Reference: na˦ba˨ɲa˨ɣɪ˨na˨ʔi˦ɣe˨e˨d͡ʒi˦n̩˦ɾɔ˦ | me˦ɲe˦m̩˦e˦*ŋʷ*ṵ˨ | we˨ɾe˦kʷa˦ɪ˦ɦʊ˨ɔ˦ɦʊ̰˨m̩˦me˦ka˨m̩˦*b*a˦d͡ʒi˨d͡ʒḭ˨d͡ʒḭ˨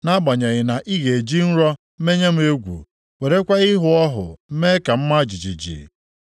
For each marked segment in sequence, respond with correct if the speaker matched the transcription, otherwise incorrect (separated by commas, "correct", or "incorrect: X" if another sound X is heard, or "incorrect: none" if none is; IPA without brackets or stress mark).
incorrect: ɡʷ, incorrect: m